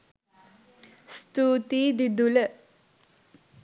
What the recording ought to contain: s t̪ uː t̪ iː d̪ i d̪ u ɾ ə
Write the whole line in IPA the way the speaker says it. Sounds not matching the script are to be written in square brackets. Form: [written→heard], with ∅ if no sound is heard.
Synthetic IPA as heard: s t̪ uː t̪ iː d̪ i d̪ u [ɾ→l] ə